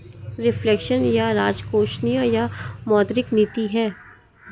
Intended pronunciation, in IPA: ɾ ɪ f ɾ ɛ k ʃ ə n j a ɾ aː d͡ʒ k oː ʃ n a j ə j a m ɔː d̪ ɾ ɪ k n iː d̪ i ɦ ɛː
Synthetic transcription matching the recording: ɾ ɪ f l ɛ k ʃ ə n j a ɾ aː d͡ʒ k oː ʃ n i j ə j a m ɔː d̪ ɾ ɪ k n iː t̪ i ɦ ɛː